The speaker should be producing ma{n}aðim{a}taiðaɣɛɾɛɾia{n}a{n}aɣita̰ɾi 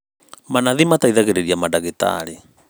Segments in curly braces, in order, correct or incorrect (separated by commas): correct, correct, incorrect, incorrect